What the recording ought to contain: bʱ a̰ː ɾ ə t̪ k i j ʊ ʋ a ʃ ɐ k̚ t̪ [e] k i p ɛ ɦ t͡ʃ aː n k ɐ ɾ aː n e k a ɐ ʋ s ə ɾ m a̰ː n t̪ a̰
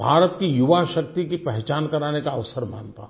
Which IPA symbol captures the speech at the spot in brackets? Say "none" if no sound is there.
i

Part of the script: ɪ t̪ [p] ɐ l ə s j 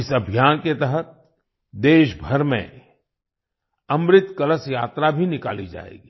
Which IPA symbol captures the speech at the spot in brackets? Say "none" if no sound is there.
k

